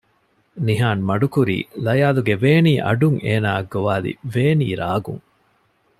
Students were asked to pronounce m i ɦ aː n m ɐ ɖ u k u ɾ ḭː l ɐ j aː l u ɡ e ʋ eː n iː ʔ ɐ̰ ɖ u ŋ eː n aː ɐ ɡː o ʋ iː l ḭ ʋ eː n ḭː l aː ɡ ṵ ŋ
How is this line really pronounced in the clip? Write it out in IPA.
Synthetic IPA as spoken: n i ɦ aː n m ɐ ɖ u k u ɾ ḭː l ɐ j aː l u ɡ e ʋ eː n iː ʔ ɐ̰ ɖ u ŋ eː n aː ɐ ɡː o ʋ aː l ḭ ʋ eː n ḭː ɾ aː ɡ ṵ ŋ